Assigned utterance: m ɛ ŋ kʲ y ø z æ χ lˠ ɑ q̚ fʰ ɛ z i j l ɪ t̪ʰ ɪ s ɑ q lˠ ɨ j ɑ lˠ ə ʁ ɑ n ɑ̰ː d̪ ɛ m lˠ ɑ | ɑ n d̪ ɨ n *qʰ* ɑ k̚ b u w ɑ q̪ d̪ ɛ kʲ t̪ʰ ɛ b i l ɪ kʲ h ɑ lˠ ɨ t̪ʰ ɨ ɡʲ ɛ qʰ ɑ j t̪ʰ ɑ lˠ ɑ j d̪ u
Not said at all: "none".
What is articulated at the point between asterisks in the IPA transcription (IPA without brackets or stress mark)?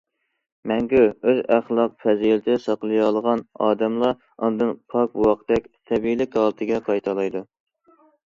pʰ